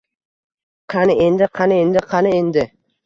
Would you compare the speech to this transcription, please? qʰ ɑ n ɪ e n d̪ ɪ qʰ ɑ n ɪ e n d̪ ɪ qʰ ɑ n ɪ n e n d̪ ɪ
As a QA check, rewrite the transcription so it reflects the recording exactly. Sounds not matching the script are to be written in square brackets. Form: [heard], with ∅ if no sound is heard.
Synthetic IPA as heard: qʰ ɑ n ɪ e n d̪ ɪ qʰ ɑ n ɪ e n d̪ ɪ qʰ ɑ n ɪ [∅] e n d̪ ɪ